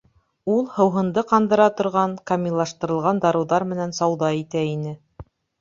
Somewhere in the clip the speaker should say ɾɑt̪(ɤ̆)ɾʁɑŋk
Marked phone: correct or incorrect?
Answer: incorrect